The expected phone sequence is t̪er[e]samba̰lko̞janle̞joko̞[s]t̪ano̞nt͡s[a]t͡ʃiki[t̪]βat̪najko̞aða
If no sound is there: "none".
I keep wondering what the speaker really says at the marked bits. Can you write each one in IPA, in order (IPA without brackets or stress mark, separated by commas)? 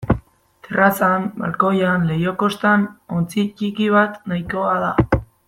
a, s, i, none